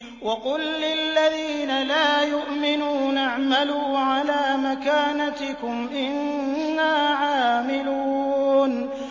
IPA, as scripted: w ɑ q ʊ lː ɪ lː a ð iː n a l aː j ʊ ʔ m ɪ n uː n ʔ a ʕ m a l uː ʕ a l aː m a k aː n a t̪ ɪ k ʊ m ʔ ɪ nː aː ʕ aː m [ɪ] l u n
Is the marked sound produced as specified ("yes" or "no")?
yes